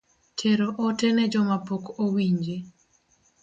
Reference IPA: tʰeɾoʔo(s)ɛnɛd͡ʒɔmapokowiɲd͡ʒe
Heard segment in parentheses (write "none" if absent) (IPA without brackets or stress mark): t